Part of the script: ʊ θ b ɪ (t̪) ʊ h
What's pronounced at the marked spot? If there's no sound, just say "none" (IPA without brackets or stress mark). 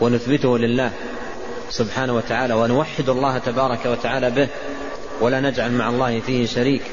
t̪